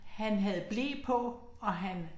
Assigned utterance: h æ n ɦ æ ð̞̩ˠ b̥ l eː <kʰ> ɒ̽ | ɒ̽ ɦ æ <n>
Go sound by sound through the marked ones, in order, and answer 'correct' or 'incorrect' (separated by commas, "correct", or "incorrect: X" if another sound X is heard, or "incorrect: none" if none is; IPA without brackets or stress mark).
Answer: incorrect: pʰ, correct